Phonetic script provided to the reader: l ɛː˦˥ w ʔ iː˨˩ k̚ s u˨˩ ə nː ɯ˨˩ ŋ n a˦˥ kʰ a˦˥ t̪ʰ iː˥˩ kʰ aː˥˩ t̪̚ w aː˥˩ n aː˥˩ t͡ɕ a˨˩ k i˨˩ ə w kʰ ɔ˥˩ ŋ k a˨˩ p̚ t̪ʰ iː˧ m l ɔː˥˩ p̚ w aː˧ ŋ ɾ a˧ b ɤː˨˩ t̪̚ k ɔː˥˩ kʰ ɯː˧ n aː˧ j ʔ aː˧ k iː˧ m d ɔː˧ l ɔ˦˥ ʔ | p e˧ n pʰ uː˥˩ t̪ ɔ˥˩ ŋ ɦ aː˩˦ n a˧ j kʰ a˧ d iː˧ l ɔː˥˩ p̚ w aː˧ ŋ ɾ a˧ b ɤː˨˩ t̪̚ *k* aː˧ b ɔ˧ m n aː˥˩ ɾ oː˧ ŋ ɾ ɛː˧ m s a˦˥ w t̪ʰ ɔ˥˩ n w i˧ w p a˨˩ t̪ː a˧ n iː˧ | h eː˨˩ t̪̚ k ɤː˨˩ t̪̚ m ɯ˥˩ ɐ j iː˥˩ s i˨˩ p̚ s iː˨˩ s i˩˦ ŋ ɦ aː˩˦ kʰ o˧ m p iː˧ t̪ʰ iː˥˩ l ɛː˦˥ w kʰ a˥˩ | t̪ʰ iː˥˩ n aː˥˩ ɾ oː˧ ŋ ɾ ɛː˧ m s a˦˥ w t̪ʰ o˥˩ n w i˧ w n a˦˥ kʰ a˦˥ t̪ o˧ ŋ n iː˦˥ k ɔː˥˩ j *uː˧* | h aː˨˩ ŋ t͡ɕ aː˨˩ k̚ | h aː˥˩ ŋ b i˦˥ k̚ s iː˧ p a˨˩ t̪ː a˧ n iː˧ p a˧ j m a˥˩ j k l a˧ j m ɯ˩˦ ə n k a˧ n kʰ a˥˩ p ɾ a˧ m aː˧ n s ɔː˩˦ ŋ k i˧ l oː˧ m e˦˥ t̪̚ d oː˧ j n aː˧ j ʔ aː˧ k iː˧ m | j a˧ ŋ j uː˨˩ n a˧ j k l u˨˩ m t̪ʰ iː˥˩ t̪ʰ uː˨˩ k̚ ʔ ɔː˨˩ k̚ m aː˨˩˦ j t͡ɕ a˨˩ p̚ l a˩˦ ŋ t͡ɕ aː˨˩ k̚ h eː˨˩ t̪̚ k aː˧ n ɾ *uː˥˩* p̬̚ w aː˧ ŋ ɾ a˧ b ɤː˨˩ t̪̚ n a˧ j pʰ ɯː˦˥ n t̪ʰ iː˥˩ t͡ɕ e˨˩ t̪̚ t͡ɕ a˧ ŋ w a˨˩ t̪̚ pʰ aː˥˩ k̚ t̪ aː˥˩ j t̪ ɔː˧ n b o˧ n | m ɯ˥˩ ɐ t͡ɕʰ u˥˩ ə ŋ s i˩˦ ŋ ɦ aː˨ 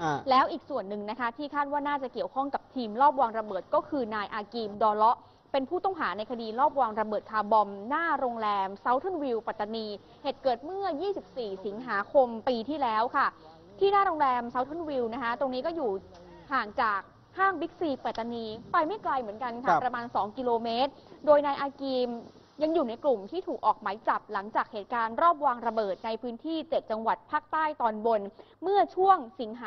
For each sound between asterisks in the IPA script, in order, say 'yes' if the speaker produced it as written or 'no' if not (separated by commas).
no, no, no